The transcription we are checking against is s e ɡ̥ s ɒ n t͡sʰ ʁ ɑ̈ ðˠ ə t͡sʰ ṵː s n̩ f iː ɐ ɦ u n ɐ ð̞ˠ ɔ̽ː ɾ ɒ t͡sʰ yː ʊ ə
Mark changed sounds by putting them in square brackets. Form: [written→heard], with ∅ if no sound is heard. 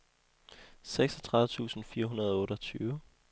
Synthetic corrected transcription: s e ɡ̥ s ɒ [n→∅] t͡sʰ ʁ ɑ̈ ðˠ ə t͡sʰ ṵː s n̩ f iː ɐ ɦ u n ɐ ð̞ˠ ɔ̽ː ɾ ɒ t͡sʰ yː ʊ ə